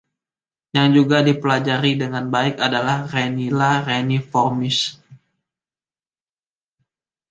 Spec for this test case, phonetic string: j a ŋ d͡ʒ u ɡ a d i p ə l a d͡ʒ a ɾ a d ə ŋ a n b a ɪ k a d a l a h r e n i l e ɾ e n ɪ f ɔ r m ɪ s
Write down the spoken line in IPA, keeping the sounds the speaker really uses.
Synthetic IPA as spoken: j a ŋ d͡ʒ u ɡ a d i p ə l a d͡ʒ a ɾ i d ə ŋ a n b a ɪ k a d a l a h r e n i l a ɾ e n i f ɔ r m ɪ s